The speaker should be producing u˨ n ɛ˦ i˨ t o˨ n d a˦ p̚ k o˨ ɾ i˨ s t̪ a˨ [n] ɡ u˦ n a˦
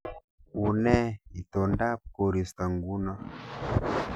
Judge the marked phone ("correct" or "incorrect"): incorrect